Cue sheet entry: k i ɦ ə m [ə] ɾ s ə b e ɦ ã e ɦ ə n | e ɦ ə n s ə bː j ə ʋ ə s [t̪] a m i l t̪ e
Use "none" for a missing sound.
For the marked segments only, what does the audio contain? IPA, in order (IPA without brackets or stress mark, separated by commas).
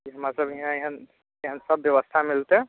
a, t̪ʰ